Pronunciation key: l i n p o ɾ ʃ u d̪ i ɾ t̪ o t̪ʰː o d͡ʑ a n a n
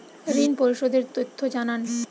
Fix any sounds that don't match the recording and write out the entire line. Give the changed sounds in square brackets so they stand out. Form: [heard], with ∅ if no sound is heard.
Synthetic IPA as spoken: [ɾ] i n p o ɾ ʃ [o] d̪ [e] ɾ t̪ o t̪ʰː o d͡ʑ a n a n